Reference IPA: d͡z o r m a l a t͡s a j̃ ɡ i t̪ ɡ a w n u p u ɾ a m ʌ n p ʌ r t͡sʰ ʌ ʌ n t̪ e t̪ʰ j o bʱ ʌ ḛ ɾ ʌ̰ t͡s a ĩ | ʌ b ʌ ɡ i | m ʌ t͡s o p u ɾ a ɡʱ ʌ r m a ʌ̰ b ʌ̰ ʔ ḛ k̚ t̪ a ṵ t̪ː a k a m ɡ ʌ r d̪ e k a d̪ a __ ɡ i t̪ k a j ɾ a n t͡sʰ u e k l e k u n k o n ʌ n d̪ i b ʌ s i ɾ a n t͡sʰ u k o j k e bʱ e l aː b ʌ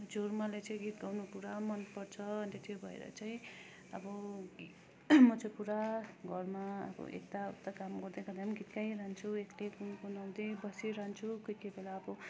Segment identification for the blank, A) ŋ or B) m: B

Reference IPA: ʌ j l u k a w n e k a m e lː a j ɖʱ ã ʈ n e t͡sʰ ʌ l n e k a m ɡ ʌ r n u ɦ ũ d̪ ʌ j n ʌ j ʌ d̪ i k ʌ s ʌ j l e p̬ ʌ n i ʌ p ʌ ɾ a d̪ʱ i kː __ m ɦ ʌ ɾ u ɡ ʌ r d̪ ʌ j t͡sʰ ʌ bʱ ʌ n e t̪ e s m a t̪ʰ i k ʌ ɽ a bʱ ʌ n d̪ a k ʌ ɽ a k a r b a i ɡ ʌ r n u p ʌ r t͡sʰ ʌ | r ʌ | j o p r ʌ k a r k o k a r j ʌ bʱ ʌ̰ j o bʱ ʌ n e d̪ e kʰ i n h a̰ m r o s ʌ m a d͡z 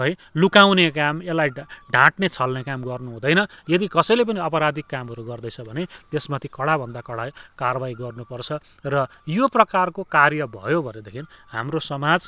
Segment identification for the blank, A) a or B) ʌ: A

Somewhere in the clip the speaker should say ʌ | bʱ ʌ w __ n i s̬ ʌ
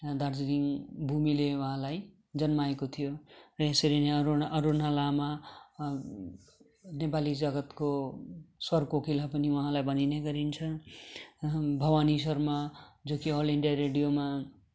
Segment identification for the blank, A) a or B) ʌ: A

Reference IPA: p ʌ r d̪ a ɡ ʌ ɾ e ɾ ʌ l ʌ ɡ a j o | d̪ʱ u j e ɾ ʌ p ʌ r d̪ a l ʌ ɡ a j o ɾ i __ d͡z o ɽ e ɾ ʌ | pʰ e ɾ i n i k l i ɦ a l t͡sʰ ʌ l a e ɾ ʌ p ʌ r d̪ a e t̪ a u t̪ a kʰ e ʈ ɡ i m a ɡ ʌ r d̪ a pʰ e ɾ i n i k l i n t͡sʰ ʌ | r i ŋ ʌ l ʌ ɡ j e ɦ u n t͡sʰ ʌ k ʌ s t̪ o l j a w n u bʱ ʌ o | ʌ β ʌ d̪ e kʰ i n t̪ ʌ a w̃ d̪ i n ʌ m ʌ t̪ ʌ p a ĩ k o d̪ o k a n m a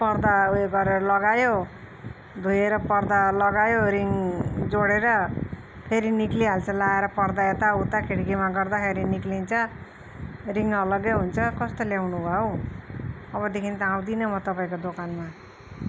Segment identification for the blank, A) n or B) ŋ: B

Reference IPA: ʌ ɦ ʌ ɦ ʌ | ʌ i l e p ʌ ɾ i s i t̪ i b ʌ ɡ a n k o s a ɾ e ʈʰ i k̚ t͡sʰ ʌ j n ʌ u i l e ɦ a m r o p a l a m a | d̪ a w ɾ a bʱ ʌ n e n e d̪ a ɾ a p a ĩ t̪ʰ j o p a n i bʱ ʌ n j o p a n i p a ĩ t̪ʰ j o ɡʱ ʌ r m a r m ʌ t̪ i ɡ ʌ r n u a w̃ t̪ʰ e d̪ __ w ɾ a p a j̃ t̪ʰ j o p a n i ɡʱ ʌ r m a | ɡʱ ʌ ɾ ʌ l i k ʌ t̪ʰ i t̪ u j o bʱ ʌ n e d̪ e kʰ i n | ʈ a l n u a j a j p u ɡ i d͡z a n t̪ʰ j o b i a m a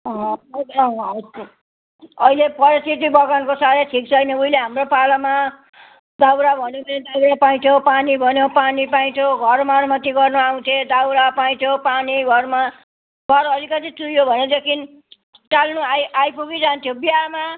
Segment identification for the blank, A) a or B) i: A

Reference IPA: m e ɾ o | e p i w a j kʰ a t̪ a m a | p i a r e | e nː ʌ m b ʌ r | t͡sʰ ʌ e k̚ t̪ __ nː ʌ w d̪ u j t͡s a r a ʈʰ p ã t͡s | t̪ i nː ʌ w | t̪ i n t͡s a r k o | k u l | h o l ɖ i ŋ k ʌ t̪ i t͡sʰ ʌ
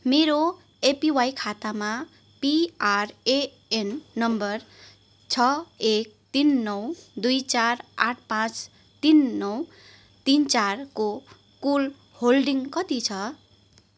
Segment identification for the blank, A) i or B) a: A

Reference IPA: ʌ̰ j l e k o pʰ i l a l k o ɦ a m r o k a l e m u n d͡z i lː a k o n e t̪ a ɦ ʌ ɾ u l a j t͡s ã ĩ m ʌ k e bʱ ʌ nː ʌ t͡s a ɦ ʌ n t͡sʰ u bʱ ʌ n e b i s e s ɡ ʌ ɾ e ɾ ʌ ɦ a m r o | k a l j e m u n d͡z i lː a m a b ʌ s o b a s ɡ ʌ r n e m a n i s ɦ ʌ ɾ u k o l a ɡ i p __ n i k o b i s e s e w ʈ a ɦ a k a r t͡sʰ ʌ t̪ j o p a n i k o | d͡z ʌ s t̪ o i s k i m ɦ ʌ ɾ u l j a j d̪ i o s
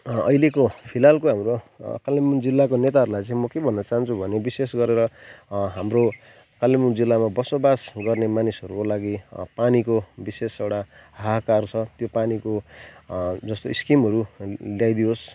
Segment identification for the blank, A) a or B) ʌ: A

